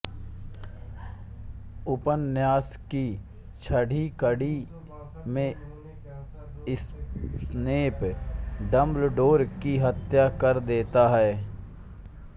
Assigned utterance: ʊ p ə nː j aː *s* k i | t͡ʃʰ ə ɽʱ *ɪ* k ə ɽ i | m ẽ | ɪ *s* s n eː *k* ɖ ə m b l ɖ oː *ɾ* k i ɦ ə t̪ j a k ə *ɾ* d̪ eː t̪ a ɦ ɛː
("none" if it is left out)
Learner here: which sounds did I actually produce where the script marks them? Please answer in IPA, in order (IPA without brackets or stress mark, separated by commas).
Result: s, i, s, p, ɾ, ɾ